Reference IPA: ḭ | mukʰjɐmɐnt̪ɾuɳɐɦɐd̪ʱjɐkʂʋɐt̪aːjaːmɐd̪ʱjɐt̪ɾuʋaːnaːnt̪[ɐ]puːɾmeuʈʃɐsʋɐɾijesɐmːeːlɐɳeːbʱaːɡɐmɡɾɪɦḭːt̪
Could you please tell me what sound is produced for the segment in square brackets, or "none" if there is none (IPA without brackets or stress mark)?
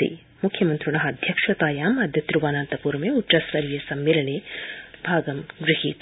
ɐ